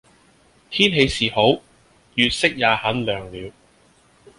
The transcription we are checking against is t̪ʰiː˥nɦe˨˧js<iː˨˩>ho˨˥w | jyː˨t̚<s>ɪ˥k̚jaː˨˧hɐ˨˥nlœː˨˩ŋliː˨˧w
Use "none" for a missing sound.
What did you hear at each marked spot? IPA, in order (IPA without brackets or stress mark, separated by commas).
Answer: iː˨˩, s